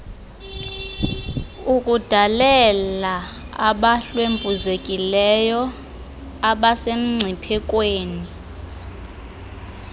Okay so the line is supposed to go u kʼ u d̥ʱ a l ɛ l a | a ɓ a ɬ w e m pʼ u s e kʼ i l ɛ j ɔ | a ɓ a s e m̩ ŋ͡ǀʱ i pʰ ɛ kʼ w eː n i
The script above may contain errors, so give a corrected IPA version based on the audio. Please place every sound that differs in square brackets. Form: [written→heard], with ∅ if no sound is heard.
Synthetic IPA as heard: u kʼ u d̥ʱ a l ɛ l a | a ɓ a ɬ w e m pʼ u [s→z] e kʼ i l ɛ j ɔ | a ɓ a s e m̩ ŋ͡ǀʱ i pʰ ɛ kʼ w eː n i